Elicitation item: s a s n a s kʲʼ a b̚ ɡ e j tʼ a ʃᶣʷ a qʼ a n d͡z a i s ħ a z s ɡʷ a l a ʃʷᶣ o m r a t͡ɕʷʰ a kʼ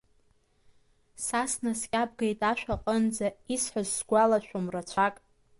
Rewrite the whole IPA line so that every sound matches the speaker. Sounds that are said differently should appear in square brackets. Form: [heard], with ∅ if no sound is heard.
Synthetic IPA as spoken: s a s n a s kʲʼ a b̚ ɡ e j tʼ a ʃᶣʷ a qʼ [ə] n d͡z a i s ħ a z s ɡʷ a l a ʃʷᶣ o m r a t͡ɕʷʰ a kʼ